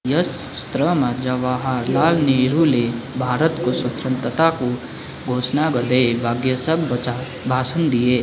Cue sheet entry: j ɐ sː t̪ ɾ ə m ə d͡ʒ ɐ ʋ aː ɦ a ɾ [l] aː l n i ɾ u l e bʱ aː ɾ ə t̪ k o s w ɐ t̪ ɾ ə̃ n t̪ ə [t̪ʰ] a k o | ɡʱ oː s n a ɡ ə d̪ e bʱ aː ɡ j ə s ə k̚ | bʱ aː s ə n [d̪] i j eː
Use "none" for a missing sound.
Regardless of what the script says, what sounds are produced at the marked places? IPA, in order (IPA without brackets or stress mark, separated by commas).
l, t̪, d̪